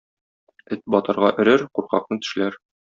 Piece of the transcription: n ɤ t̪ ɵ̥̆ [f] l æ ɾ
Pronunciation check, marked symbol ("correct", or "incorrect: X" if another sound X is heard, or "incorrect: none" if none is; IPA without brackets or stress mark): incorrect: ʃ